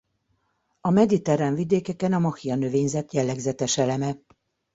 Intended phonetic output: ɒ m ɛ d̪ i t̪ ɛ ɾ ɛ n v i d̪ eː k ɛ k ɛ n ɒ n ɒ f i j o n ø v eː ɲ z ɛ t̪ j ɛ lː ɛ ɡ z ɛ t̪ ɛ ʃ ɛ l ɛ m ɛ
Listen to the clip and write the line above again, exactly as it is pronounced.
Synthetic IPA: ɒ m ɛ d̪ i t̪ ɛ ɾ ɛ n v i d̪ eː k ɛ k ɛ n ɒ m ɒ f i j ɒ n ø v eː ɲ z ɛ t̪ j ɛ lː ɛ ɡ z ɛ t̪ ɛ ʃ ɛ l ɛ m ɛ